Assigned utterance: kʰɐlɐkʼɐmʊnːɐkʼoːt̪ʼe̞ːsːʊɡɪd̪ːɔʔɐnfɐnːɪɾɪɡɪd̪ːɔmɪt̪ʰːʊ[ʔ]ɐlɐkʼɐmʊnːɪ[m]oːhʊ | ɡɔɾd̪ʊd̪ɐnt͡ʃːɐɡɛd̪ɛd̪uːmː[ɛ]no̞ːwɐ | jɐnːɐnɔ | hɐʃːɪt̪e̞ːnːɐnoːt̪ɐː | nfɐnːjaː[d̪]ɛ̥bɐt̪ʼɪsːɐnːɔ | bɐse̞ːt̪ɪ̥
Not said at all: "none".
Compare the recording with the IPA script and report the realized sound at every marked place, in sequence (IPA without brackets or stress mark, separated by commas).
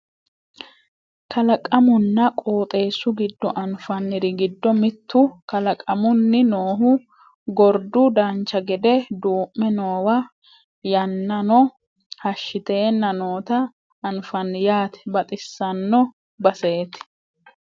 k, n, ɛ, t̪